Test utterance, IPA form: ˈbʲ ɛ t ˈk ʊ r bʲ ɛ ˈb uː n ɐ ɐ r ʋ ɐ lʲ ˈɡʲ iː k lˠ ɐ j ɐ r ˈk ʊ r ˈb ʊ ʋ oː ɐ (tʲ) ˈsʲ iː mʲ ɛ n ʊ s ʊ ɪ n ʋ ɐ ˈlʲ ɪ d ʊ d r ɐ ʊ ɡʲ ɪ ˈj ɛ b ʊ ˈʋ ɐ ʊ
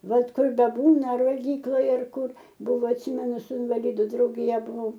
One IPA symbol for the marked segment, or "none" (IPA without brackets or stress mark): tʲ